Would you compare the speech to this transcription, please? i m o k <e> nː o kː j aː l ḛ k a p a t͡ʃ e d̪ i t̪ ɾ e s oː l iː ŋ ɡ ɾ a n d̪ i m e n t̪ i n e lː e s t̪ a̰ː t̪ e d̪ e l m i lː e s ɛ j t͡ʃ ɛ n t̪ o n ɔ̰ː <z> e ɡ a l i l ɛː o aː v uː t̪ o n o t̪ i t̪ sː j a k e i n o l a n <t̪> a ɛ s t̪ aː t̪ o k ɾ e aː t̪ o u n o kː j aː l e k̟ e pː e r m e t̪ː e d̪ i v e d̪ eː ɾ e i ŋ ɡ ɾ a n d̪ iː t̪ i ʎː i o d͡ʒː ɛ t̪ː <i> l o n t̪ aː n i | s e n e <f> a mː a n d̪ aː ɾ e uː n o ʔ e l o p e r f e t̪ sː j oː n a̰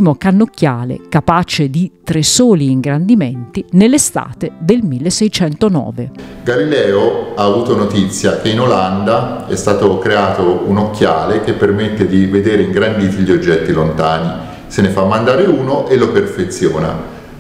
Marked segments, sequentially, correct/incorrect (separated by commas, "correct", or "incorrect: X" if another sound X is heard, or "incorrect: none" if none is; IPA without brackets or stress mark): incorrect: a, incorrect: v, incorrect: d̪, correct, correct